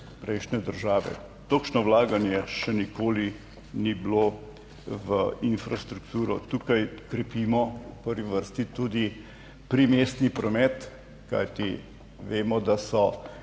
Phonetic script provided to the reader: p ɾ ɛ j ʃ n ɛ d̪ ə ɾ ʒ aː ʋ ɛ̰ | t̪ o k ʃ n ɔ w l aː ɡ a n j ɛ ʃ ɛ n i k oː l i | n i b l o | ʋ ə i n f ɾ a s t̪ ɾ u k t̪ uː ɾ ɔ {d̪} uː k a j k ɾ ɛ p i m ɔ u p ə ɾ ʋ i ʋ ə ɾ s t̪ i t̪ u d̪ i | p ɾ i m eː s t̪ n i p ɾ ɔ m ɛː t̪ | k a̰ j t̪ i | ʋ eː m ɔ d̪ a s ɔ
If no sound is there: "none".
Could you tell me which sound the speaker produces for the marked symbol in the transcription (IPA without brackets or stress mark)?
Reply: t̪